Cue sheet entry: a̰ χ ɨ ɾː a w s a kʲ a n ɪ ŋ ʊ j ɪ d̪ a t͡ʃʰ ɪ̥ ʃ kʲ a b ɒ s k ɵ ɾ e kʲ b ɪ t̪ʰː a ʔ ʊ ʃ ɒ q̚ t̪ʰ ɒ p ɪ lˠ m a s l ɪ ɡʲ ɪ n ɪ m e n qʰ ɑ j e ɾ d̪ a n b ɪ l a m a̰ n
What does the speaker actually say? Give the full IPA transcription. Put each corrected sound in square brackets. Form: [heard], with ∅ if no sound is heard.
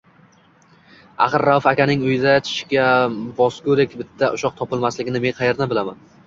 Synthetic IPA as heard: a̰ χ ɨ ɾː a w [f] a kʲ a n ɪ ŋ ʊ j ɪ d̪ a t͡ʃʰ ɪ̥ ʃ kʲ a b ɒ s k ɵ ɾ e kʲ b ɪ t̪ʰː a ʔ ʊ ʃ ɒ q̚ t̪ʰ ɒ p ɪ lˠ m a s l ɪ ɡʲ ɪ n ɪ m e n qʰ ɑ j e ɾ d̪ a n b ɪ l a m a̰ n